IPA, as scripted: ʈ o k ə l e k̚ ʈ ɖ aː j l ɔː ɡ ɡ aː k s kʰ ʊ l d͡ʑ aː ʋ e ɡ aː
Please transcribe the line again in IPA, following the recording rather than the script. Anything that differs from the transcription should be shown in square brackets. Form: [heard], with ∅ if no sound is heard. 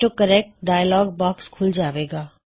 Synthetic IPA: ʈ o k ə [ɾ] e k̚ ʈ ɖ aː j l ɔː ɡ [b] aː k s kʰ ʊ l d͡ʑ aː ʋ e ɡ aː